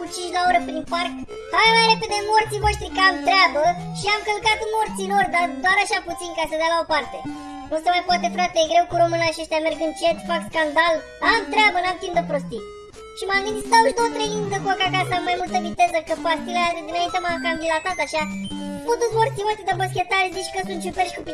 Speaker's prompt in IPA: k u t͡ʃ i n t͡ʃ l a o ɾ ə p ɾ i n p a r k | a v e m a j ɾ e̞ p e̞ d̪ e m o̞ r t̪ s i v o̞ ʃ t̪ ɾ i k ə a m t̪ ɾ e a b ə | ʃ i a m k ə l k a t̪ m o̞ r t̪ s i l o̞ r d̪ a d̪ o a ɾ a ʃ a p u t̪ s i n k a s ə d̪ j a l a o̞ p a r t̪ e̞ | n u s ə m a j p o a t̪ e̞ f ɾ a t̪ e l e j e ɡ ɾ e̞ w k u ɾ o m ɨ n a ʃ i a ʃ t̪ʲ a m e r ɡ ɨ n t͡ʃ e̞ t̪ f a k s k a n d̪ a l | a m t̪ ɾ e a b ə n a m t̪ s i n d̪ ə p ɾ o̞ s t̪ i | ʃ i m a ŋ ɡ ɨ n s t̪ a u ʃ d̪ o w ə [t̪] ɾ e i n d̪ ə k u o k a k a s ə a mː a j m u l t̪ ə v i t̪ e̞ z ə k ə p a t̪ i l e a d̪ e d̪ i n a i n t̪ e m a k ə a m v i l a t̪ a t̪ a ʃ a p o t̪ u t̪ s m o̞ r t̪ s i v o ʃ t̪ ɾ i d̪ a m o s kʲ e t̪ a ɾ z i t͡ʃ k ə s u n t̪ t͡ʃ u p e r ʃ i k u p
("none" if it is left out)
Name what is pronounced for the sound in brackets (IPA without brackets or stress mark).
t̪